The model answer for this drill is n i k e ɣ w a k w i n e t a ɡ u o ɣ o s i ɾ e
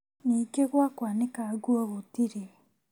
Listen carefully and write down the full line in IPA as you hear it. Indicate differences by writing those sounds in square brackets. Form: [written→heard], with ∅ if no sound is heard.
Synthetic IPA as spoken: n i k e ɣ w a k w [i→a] n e [t→k] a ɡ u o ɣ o [s→t] i ɾ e